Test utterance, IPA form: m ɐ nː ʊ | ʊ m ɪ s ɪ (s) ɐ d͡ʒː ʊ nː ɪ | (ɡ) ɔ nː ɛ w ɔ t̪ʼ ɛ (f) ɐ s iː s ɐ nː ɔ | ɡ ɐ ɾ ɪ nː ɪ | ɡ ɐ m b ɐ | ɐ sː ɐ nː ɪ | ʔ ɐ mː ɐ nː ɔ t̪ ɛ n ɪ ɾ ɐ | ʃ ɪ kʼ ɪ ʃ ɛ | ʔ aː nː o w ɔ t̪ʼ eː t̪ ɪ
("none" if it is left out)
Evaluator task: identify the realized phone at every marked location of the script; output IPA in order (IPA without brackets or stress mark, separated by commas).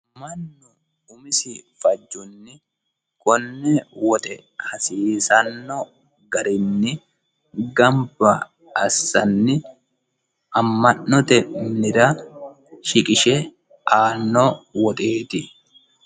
f, k, h